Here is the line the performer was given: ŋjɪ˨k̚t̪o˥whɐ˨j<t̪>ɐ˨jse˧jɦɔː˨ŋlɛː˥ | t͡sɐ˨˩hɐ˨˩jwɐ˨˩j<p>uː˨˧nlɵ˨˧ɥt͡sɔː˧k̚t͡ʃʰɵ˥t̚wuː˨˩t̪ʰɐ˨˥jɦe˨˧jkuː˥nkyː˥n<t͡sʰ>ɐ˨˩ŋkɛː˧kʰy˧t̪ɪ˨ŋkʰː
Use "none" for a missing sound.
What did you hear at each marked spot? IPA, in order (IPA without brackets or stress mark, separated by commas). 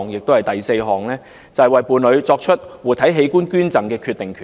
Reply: t̪, p, t͡s